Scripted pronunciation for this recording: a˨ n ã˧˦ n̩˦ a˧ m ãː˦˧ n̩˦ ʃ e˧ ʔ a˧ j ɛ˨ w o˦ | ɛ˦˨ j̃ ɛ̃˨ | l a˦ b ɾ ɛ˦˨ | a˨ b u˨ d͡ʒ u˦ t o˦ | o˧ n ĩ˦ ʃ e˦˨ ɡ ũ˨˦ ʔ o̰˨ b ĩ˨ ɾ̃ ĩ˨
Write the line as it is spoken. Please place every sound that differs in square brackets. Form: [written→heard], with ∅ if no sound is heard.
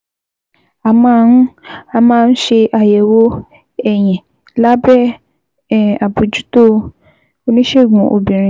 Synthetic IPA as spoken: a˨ [n→m] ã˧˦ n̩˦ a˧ m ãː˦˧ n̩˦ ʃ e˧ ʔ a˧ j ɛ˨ w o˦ | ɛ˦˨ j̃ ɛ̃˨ | l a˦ b ɾ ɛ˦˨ | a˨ b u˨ d͡ʒ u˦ t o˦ | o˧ n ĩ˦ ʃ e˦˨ ɡ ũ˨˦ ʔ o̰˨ b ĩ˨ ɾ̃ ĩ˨

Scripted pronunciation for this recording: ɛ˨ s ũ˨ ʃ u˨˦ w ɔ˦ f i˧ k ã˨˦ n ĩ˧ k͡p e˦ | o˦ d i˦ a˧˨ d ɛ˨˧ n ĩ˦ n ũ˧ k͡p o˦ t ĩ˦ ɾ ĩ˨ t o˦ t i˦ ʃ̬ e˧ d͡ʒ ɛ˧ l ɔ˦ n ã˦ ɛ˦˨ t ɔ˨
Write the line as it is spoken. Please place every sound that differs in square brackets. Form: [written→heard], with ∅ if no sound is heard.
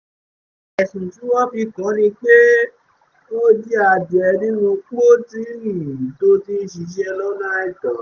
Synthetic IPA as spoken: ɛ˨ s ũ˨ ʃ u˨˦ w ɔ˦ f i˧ k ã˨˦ n ĩ˧ k͡p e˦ | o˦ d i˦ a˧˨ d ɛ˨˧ n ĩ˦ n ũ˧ k͡p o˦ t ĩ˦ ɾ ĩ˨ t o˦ t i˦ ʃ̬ [e˧→i˧] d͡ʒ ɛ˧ l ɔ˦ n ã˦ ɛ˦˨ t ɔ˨

